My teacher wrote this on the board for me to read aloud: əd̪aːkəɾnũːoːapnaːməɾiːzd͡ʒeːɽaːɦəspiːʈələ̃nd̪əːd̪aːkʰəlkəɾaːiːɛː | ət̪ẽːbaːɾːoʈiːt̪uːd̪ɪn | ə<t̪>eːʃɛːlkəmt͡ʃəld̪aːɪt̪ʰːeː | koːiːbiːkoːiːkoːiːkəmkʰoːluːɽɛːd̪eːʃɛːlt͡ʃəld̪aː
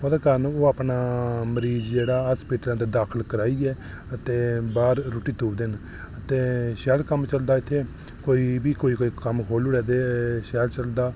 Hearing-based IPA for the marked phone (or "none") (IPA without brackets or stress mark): t̪